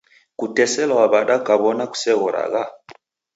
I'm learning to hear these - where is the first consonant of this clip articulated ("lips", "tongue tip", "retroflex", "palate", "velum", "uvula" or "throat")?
velum